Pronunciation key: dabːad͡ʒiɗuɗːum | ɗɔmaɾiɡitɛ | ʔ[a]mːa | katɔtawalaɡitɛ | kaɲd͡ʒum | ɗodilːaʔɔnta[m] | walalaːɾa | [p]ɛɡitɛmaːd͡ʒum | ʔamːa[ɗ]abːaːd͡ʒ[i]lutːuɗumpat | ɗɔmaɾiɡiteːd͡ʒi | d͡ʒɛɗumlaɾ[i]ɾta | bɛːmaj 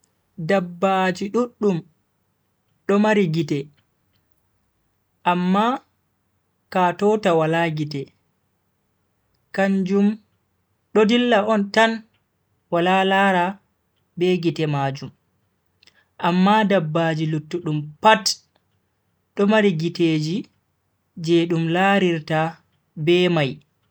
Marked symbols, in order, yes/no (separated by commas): yes, no, no, no, yes, yes